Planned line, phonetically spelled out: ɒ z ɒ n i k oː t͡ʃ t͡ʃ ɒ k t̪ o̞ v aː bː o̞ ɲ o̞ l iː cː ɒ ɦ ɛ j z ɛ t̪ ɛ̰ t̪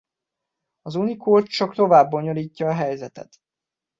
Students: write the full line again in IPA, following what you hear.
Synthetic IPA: ɒ z u n i k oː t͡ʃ t͡ʃ ɒ k t̪ o̞ v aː bː o̞ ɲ o̞ l iː cː ɒː ɦ ɛ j z ɛ t̪ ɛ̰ t̪